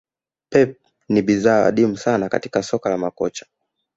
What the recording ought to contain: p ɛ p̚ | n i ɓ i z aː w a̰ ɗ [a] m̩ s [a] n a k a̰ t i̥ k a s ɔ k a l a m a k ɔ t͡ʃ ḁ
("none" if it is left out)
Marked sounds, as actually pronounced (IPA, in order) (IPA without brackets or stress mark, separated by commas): i, a